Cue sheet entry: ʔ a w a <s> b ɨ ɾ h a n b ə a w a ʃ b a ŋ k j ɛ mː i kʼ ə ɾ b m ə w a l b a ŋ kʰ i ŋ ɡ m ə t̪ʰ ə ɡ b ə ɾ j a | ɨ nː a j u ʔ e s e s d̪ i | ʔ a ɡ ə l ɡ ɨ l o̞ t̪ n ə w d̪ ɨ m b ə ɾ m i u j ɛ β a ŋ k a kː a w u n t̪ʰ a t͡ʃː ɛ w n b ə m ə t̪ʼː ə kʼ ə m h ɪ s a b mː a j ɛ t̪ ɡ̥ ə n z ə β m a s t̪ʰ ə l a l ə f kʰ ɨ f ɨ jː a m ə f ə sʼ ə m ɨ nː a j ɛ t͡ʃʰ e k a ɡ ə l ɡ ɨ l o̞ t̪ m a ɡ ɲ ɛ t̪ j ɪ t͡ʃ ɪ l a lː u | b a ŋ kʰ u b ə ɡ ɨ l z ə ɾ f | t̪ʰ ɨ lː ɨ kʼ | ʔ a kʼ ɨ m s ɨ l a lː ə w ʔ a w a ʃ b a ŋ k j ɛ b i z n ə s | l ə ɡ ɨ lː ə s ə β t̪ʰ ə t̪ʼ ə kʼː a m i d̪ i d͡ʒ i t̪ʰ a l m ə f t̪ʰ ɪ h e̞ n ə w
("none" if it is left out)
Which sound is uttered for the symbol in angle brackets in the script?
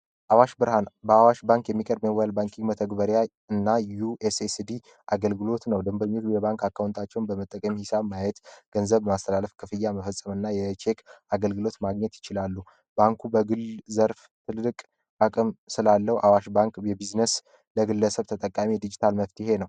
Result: ʃ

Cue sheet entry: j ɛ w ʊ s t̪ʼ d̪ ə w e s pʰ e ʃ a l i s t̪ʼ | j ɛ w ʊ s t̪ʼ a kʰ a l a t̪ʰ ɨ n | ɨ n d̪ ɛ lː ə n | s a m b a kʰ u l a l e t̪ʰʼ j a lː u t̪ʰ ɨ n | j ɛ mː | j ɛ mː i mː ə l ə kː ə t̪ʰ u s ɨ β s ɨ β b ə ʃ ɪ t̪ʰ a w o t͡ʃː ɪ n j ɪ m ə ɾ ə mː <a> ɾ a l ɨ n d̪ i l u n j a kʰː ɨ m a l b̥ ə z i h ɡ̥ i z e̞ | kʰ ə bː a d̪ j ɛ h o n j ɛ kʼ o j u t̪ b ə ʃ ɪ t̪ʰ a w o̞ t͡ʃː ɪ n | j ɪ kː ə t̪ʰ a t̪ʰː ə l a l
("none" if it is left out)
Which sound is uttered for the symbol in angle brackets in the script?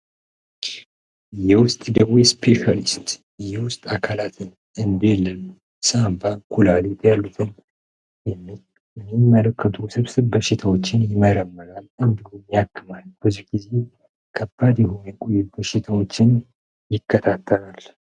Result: ə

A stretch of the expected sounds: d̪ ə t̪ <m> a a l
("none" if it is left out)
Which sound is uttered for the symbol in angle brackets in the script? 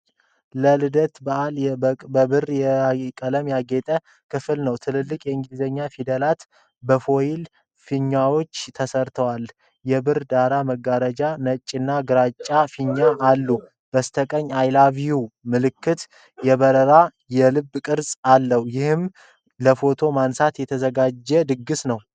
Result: b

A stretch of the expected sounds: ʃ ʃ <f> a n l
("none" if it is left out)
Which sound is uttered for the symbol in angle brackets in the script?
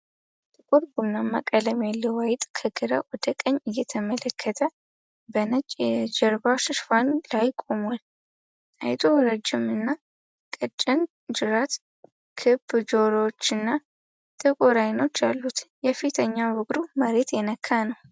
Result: f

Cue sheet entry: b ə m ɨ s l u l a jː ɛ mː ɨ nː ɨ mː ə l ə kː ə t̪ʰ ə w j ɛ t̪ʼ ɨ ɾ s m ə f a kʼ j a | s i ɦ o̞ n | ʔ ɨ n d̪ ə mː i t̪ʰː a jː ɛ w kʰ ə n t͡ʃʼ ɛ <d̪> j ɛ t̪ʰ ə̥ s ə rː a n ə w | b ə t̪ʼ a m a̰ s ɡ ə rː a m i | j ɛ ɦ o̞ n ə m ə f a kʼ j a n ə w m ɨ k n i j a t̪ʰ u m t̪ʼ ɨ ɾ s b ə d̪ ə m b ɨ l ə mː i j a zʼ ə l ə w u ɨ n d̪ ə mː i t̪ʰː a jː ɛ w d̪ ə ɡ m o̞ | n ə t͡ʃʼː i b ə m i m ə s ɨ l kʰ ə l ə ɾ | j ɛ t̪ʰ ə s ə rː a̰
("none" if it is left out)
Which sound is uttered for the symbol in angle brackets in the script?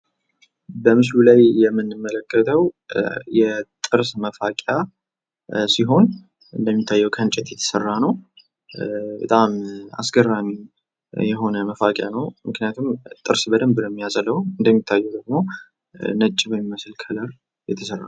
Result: t̪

